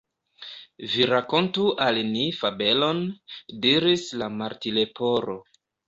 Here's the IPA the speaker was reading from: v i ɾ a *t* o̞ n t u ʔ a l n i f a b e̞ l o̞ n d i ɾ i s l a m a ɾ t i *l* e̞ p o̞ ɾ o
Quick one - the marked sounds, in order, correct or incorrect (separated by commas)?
incorrect, correct